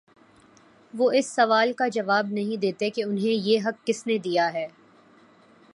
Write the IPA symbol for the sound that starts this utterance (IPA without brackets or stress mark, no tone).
ʋ